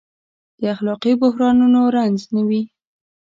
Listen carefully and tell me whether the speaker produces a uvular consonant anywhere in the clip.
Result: yes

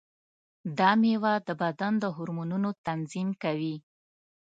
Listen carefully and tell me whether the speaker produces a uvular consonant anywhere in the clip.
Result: no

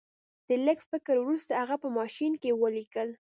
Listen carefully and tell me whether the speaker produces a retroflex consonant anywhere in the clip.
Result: no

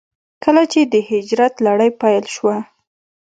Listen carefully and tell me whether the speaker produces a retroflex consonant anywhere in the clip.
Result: yes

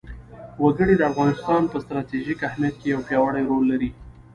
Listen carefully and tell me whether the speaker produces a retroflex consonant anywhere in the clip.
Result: yes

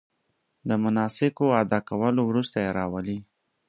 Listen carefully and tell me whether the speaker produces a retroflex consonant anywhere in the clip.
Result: no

